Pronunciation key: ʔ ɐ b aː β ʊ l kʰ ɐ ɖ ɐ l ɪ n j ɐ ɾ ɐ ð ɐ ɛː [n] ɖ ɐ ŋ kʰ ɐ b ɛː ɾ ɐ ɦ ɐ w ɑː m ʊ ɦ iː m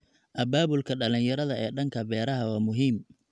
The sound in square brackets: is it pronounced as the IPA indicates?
no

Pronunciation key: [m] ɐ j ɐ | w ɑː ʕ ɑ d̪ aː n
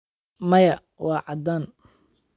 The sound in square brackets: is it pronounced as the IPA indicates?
yes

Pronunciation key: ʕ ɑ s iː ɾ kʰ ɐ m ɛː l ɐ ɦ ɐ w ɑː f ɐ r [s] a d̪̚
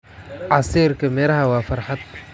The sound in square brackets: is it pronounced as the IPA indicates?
no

